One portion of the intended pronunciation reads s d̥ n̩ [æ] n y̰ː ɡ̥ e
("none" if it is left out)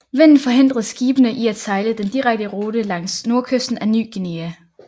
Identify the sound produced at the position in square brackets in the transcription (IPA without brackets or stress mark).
æ